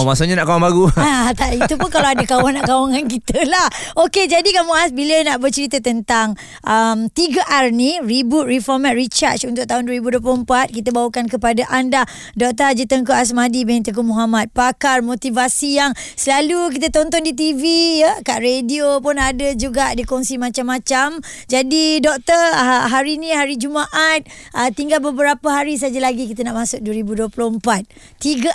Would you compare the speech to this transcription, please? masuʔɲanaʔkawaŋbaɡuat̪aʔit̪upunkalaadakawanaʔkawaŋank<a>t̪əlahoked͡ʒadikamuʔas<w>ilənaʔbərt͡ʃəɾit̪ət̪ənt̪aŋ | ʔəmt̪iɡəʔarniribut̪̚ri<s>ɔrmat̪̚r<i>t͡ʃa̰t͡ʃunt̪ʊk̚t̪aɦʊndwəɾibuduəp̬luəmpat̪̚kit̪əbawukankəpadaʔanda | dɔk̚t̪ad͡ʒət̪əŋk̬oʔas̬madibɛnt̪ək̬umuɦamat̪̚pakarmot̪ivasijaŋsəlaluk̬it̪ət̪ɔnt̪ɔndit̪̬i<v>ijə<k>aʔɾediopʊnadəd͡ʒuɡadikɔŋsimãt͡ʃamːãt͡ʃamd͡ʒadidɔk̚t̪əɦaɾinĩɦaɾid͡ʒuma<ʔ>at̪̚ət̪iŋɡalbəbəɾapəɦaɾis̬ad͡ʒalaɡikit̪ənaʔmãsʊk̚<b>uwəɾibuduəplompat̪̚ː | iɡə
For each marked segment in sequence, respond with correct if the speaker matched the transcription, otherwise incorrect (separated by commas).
incorrect, incorrect, incorrect, correct, correct, correct, correct, incorrect